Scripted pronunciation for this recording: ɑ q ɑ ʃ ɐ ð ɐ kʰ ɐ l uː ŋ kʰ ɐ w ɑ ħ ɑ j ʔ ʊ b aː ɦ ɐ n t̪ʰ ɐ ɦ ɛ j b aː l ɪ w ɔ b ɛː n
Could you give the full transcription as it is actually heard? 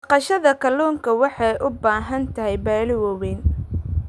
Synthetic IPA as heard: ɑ q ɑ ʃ ɐ ð ɐ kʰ ɐ l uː ŋ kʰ ɐ w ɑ ħ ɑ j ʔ ʊ b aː ɦ ɐ n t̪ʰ ɐ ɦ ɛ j b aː l ɪ w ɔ w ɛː n